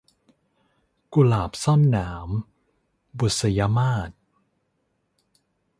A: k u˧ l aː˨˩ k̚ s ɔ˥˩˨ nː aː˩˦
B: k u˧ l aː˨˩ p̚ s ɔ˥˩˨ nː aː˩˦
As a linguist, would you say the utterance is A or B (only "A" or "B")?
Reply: B